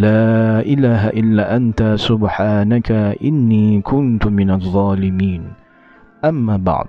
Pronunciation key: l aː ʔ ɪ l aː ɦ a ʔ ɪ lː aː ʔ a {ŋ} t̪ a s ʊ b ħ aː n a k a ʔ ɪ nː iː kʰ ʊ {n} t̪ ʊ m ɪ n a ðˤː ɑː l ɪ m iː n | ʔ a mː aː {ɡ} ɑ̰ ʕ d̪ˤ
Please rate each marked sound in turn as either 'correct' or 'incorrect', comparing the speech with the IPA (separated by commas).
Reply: incorrect, correct, incorrect